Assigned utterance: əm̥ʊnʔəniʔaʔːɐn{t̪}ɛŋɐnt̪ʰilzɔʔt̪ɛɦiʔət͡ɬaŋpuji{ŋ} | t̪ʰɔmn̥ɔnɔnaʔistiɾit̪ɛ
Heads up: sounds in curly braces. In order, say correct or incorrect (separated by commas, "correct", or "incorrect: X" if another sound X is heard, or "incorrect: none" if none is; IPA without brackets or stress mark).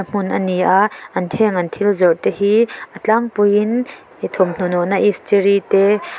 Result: incorrect: t̪ʰ, incorrect: n